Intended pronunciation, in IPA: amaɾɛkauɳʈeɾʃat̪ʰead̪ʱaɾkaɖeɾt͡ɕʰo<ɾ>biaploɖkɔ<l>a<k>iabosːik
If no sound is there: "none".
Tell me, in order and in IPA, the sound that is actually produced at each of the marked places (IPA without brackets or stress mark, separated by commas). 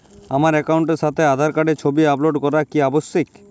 none, ɾ, k